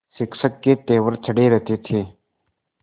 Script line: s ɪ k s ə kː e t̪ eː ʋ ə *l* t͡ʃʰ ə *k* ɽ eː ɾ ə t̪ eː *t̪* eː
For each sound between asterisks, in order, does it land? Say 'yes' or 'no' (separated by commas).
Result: no, no, no